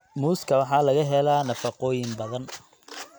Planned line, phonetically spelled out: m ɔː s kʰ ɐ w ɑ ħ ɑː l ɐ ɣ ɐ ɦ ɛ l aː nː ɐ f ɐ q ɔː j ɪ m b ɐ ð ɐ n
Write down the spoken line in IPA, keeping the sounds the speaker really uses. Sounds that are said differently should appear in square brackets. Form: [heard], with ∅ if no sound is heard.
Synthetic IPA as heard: m [uː] s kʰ ɐ w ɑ ħ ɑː l ɐ ɣ ɐ ɦ ɛ l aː [n] ɐ f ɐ q ɔː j ɪ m b ɐ ð ɐ n